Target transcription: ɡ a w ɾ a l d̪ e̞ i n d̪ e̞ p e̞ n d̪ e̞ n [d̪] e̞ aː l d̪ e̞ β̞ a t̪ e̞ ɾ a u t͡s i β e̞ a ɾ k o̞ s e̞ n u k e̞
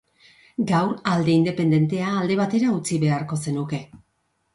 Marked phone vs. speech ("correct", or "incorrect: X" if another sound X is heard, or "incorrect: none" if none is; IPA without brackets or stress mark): incorrect: t̪